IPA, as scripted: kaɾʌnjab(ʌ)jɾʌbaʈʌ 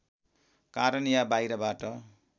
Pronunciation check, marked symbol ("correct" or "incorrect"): incorrect